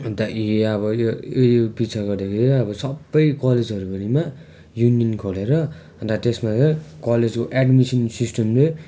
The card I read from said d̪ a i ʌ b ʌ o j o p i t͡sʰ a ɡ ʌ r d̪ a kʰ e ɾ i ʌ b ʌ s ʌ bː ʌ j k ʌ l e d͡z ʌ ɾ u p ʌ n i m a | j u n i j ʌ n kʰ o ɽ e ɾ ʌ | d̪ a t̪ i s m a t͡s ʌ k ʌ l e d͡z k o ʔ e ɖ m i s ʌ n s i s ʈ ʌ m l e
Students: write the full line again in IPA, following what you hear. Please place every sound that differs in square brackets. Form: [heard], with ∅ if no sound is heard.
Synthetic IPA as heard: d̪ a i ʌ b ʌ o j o p i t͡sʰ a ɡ ʌ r d̪ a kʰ e ɾ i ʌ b ʌ s ʌ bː ʌ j k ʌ l e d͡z ʌ ɾ u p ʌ n i m a | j u n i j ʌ n kʰ o [l] e ɾ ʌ | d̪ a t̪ [e] s m a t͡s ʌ k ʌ l e d͡z k o ʔ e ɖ m i s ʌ n s i s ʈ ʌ m l e

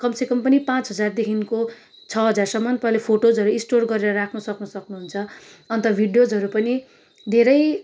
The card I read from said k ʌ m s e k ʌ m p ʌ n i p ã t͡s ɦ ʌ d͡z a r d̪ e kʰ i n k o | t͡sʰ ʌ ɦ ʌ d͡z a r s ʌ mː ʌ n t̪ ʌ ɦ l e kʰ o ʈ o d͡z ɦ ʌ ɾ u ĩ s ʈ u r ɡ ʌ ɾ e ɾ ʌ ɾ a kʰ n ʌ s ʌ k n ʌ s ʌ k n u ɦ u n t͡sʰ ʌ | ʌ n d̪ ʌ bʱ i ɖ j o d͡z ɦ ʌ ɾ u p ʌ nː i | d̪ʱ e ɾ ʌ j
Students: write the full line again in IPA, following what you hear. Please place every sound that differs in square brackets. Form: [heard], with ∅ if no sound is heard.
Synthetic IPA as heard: k ʌ m s e k ʌ m p ʌ n i p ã t͡s ɦ ʌ d͡z a r d̪ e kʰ i n k o | t͡sʰ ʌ ɦ ʌ d͡z a r s ʌ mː ʌ n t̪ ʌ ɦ l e [pʰ] o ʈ o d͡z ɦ ʌ ɾ u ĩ s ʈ [o] r ɡ ʌ ɾ e ɾ ʌ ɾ a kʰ n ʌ s ʌ k n ʌ s ʌ k n u ɦ u n t͡sʰ ʌ | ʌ n [t̪] ʌ bʱ i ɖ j o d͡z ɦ ʌ ɾ u p ʌ [n] i | d̪ʱ e ɾ ʌ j

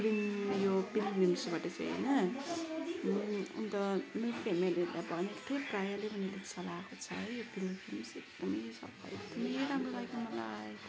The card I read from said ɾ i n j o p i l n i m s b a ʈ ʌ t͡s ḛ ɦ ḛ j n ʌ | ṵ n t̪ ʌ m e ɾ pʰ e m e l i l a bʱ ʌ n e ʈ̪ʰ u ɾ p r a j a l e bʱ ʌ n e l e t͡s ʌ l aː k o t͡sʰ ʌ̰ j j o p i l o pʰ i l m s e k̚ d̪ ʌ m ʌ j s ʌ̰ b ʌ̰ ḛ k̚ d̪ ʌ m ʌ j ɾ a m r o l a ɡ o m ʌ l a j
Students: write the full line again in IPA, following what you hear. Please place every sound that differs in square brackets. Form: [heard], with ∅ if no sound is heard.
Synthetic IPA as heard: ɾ i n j o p i l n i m s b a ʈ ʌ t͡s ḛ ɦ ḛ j n ʌ | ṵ n t̪ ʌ m e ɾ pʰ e m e l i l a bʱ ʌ n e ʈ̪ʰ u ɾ p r a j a l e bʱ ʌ n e l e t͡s ʌ l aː k o t͡sʰ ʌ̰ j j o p i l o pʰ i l m s e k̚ d̪ ʌ m ʌ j s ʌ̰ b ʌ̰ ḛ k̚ d̪ ʌ m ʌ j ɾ a m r o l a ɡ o m ʌ l a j

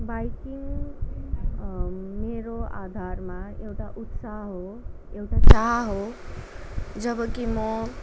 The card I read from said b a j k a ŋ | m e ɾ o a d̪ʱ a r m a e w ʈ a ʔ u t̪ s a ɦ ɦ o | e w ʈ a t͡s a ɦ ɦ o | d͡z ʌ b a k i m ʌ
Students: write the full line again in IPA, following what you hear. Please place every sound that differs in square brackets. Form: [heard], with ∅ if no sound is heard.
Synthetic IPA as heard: b a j k [i] ŋ | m e ɾ o a d̪ʱ a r m a e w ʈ a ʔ u t̪ s a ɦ ɦ o | e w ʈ a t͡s a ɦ ɦ o | d͡z ʌ b [ʌ] k i m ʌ

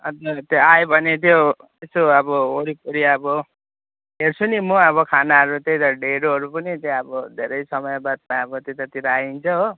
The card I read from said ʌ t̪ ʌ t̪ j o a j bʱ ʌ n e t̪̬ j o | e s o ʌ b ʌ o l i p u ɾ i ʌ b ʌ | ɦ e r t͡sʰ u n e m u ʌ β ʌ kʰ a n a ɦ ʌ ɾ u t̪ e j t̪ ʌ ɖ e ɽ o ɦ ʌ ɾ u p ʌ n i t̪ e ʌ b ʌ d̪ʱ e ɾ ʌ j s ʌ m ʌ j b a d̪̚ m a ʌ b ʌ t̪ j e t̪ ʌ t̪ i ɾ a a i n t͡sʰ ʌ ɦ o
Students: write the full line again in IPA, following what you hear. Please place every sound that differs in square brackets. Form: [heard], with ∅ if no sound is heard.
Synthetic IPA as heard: ʌ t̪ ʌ t̪ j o a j bʱ ʌ n e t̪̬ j o | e s o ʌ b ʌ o [ɽ] i p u ɾ i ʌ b ʌ | ɦ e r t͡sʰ u n [i] m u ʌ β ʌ kʰ a n a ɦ ʌ ɾ u t̪ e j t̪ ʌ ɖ e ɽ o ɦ ʌ ɾ u p ʌ n i t̪ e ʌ b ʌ d̪ʱ e ɾ ʌ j s ʌ m ʌ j b a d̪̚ m a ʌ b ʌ t̪ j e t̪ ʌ t̪ i ɾ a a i n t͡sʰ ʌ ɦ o

